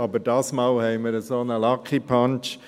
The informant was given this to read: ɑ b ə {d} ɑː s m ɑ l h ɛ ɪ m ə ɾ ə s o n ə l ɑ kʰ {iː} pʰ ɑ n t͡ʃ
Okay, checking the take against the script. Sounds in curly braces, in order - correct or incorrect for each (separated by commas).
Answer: correct, incorrect